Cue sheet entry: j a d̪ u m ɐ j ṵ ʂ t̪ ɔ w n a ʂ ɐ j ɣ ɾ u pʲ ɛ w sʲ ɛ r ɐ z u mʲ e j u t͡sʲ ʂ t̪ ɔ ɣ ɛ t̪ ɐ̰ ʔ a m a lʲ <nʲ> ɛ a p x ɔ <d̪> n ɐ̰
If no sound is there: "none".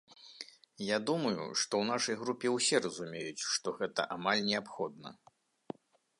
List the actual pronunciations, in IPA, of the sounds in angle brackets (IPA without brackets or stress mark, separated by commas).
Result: nʲ, d̪